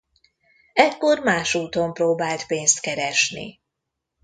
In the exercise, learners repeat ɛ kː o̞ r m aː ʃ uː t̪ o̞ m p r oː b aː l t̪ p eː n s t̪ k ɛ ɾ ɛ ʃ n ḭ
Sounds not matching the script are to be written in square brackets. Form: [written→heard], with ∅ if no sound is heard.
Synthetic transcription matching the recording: ɛ kː o̞ r m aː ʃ uː t̪ o̞ m p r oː b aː l t̪ p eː n s t̪ k ɛ ɾ ɛ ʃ n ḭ